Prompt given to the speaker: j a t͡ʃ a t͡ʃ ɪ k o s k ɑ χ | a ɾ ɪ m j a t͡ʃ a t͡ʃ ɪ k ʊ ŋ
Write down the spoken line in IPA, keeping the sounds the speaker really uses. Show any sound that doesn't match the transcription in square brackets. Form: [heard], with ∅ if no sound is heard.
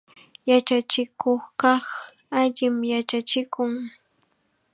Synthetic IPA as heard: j a t͡ʃ a t͡ʃ ɪ k o [χ] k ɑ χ | a [ʎ] ɪ m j a t͡ʃ a t͡ʃ ɪ k ʊ ŋ